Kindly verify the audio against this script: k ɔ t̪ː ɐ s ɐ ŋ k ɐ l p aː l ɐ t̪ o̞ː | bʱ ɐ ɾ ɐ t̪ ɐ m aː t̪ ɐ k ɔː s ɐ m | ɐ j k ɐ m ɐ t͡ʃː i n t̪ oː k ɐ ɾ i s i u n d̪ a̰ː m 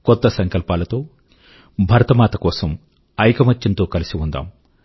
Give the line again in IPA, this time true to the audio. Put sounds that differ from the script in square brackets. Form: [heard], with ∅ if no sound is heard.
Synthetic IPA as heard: k ɔ t̪ː ɐ s ɐ ŋ k ɐ l p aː l ɐ t̪ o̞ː | bʱ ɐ ɾ ɐ t̪ ɐ m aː t̪ ɐ k ɔː s ɐ m | ɐ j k ɐ m ɐ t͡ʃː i n t̪ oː k ɐ [l] i s i u n d̪ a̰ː m